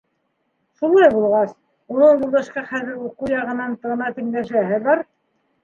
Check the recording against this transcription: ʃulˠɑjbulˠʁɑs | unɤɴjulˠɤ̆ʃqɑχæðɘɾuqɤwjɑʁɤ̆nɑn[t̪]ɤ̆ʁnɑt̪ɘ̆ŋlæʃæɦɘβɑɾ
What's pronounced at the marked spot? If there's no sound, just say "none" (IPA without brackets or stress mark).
t̪